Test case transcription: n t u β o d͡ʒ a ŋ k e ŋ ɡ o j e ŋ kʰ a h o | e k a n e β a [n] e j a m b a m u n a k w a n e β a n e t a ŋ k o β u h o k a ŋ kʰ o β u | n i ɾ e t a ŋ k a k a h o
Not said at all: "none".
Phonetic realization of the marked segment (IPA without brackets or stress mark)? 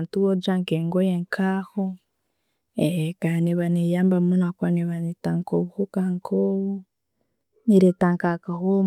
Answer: n